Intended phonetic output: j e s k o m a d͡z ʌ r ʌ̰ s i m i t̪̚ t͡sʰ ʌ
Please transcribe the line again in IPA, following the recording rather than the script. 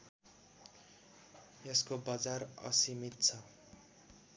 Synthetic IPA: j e s k o b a d͡z a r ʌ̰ s i m i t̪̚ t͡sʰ ʌ